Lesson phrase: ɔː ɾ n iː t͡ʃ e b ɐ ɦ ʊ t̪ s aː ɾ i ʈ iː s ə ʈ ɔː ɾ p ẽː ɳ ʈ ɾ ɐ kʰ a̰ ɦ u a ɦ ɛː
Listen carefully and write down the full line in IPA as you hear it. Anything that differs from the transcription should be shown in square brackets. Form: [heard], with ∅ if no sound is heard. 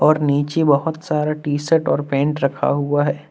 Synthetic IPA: ɔː ɾ n iː t͡ʃ e b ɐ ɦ ʊ t̪ s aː ɾ [a] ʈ iː s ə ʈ ɔː ɾ p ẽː ɳ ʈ ɾ ɐ kʰ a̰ ɦ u a ɦ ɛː